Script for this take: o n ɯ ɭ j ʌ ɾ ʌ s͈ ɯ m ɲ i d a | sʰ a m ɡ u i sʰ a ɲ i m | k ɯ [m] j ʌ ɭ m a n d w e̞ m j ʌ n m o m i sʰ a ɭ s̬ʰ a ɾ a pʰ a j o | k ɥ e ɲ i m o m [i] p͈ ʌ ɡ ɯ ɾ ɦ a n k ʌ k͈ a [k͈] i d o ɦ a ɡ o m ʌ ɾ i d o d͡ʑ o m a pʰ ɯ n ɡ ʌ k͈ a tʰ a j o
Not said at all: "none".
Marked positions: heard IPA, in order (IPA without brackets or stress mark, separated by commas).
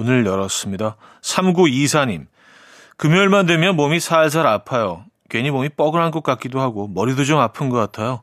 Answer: m, i, k͈